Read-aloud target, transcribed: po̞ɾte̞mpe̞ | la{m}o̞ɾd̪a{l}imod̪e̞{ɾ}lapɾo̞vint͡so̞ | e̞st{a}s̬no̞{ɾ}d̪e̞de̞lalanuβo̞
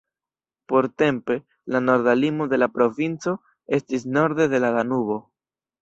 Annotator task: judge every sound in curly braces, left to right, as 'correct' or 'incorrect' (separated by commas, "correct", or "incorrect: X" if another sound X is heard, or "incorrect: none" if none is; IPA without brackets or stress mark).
incorrect: n, correct, incorrect: none, incorrect: i, correct